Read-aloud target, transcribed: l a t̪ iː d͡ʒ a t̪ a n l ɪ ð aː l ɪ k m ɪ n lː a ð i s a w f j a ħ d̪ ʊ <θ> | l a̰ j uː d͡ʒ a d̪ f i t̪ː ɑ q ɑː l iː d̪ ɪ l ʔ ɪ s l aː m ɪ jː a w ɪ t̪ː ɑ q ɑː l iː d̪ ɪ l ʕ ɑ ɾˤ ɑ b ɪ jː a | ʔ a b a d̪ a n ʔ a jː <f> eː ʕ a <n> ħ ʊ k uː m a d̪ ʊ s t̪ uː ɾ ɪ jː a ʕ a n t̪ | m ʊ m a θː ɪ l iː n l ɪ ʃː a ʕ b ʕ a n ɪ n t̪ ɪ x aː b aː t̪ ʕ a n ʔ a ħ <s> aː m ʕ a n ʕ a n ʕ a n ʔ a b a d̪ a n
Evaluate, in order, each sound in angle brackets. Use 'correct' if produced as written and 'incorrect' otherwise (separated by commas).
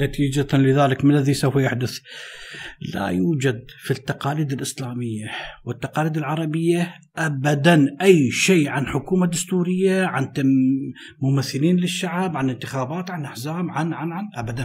correct, incorrect, correct, incorrect